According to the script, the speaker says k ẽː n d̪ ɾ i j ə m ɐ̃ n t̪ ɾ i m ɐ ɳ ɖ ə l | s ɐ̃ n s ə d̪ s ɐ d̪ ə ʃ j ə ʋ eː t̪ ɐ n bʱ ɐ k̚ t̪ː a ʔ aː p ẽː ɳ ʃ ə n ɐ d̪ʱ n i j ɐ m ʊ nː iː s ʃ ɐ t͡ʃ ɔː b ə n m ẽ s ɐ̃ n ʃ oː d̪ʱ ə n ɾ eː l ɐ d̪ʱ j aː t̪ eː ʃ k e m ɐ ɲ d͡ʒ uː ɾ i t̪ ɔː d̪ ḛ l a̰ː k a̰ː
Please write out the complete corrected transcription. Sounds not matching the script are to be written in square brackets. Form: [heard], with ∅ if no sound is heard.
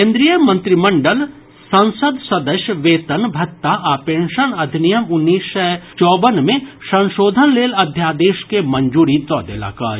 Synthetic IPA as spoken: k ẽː n d̪ ɾ i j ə m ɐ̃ n t̪ ɾ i m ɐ ɳ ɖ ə l | s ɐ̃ n s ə d̪ s ɐ d̪ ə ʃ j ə ʋ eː t̪ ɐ n bʱ ɐ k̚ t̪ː a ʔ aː p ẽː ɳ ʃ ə n ɐ d̪ʱ n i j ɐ m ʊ nː iː s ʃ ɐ t͡ʃ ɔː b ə n m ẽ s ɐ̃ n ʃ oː d̪ʱ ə n [l] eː l ɐ d̪ʱ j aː [d̪] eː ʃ k e m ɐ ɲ d͡ʒ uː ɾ i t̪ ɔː d̪ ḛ l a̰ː k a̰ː

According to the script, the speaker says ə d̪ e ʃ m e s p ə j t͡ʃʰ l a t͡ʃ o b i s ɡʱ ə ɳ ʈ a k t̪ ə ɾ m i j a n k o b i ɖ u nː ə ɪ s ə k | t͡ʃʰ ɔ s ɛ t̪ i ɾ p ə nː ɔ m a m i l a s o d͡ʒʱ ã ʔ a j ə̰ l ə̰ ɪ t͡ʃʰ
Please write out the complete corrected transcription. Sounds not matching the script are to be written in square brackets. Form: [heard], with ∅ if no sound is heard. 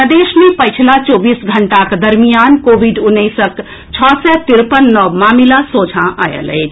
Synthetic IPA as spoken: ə d̪ e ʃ m e [∅] p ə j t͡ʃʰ l a t͡ʃ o b i s ɡʱ ə ɳ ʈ a k [d̪] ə ɾ m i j a n k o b i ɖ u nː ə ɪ s ə k | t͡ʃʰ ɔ s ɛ t̪ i ɾ p ə nː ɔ m a m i l a s o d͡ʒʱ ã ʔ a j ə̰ l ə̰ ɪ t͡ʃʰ

